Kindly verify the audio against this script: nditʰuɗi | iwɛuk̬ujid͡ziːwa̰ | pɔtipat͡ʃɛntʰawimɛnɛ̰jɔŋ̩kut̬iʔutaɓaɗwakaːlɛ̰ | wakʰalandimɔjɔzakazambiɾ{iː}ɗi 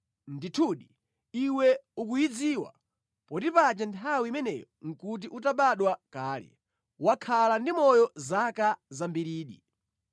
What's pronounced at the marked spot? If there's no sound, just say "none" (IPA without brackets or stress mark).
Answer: iː